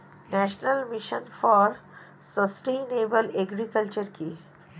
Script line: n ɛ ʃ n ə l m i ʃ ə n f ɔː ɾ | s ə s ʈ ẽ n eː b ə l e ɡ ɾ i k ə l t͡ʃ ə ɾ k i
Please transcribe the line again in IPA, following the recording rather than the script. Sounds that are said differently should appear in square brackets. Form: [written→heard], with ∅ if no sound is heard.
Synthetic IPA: n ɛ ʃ n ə l m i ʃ ə n f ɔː ɾ | s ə s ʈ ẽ n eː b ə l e ɡ ɾ i k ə l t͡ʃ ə ɾ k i